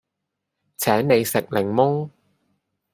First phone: t͡sʰ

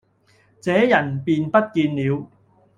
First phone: t͡s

